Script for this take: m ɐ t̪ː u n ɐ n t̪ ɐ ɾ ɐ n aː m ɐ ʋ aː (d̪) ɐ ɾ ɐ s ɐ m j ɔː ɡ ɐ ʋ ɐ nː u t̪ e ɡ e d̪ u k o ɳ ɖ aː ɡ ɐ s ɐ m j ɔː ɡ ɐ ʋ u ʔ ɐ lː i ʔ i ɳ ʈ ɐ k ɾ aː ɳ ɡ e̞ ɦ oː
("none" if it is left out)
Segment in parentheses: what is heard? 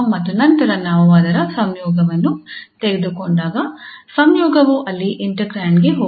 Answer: d̪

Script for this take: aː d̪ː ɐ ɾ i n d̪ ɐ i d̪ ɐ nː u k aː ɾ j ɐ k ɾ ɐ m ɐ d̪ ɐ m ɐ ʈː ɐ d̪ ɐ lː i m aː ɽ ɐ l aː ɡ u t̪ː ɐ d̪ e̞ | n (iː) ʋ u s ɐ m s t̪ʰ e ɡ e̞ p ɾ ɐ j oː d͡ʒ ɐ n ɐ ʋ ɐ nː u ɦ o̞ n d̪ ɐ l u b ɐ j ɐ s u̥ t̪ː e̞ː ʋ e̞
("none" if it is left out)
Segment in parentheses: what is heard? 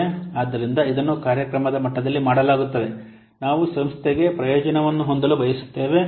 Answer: aː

